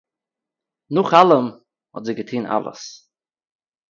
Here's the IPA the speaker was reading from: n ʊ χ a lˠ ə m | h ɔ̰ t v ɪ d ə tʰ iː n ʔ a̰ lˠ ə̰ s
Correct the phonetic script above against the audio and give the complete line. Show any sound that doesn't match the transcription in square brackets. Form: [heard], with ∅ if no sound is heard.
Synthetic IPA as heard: n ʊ χ a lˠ ə m | h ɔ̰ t [z] ɪ [ɡ] ə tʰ iː n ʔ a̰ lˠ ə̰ s